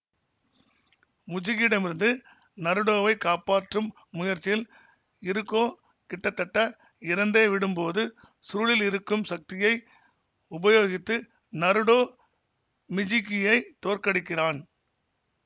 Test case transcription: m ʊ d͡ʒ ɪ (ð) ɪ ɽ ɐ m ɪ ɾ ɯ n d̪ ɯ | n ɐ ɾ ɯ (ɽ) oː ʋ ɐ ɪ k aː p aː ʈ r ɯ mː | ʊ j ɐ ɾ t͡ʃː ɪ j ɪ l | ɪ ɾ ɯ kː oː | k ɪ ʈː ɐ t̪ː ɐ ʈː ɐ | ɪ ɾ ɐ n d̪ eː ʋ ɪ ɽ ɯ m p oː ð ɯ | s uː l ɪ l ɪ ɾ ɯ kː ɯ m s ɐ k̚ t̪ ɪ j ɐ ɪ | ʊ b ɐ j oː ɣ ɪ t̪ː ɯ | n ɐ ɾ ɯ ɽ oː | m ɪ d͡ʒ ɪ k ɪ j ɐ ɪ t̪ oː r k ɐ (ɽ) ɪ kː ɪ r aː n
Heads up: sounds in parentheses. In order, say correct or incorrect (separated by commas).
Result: incorrect, correct, correct